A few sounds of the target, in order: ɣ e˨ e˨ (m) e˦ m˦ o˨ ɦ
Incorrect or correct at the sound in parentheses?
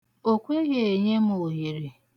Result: incorrect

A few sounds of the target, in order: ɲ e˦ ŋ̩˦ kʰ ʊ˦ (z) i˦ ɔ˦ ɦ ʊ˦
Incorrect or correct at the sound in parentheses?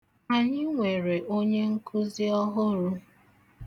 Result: correct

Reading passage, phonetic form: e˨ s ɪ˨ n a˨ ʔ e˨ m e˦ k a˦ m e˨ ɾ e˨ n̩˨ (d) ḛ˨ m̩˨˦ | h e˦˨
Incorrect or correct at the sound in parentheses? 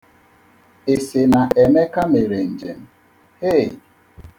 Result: incorrect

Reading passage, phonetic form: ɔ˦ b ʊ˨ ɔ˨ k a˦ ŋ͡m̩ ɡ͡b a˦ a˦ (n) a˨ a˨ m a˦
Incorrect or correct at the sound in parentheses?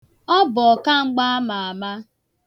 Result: incorrect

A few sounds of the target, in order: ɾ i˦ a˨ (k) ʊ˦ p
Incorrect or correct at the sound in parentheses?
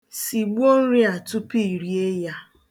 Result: incorrect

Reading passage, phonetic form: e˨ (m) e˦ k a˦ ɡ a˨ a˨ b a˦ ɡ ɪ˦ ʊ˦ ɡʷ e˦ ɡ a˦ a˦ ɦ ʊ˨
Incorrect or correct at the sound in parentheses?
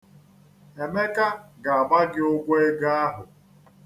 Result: correct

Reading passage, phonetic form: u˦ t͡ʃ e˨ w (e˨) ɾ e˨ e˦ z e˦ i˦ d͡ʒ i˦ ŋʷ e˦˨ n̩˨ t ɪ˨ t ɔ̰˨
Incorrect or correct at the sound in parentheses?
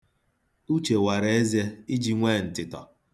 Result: incorrect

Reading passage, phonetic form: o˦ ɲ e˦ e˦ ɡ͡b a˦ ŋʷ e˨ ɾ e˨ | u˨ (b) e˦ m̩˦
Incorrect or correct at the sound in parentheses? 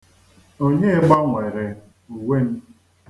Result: incorrect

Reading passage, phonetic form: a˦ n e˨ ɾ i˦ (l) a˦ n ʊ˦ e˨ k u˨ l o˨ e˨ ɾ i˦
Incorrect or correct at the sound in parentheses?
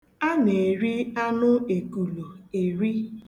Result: incorrect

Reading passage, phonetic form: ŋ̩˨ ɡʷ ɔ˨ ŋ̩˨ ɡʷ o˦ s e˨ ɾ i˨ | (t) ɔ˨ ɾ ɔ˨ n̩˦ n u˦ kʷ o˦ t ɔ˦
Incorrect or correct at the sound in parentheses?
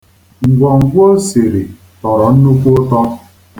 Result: correct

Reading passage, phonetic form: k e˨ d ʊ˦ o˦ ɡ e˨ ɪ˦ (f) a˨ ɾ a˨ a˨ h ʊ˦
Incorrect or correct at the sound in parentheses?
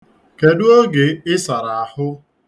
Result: incorrect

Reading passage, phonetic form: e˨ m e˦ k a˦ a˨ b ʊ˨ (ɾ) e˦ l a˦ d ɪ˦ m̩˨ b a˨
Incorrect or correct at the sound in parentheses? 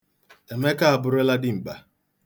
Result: correct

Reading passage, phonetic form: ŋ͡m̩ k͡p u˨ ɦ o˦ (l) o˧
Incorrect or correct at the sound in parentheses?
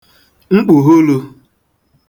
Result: correct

